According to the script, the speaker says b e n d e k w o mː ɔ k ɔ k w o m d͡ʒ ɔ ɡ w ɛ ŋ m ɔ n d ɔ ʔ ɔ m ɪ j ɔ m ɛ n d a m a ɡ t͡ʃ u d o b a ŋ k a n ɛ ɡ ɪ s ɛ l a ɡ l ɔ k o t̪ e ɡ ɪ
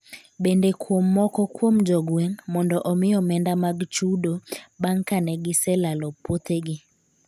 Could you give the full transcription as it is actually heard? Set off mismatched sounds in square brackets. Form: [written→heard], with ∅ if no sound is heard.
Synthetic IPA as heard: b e n d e k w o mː ɔ k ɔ k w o m d͡ʒ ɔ ɡ w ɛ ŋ m ɔ n d ɔ ʔ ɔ m ɪ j ɔ m ɛ n d a m a ɡ t͡ʃ u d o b a ŋ k a n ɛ ɡ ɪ s ɛ l a [ɡ→∅] l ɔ [k→p] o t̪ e ɡ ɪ